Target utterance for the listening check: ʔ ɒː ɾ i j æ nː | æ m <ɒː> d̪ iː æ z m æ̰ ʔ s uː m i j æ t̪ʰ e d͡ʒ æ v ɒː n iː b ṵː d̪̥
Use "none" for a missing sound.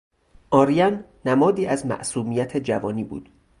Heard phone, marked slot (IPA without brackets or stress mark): ɒː